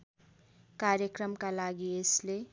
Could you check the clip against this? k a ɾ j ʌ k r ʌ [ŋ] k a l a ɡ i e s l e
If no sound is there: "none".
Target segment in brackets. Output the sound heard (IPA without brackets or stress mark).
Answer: m